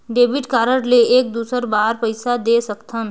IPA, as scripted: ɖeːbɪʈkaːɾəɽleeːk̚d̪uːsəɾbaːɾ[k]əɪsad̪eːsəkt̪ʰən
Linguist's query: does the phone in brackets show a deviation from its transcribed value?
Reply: yes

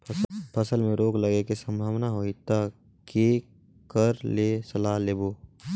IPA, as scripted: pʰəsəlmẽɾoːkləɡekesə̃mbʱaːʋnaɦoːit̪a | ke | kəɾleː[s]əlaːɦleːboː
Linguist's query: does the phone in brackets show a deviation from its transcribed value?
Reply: no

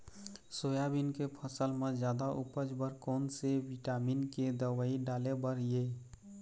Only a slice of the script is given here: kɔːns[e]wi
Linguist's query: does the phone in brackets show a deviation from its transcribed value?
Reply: no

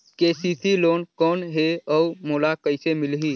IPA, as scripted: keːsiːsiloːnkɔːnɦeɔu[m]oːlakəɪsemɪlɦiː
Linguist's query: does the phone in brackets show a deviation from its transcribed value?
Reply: no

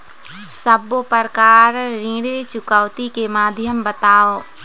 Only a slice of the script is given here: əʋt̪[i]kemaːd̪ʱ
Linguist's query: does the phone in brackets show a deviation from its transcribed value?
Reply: no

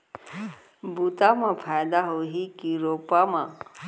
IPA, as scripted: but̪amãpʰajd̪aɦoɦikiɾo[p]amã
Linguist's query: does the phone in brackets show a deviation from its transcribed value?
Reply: no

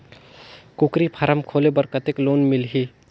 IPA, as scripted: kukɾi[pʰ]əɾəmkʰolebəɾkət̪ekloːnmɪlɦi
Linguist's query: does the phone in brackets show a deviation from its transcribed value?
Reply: no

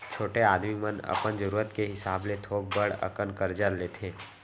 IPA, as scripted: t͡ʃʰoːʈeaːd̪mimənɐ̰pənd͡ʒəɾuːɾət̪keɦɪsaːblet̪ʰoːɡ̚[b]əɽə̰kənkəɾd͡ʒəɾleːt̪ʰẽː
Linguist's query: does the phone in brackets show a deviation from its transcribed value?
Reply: no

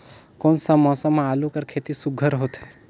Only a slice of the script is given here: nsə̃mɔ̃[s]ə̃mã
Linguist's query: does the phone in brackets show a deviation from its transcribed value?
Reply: no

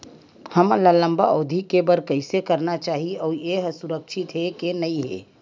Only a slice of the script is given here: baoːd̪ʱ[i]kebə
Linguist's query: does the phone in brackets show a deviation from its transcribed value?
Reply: no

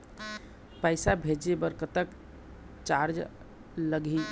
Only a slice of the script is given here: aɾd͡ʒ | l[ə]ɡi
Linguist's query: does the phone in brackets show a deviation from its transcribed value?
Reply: no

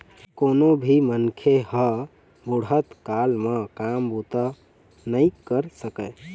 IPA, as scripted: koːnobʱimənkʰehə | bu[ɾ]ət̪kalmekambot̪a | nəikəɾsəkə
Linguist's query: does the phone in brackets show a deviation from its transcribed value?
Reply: yes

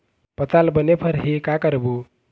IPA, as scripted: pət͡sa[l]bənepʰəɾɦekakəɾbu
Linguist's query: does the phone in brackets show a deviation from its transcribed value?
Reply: no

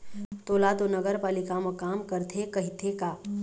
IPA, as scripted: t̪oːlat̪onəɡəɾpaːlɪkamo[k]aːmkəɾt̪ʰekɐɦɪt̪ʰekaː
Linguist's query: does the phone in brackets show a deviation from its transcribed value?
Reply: no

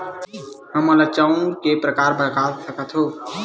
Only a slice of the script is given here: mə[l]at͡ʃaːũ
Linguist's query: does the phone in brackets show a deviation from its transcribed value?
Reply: no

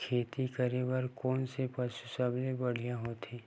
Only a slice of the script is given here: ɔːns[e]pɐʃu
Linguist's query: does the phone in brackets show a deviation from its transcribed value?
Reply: no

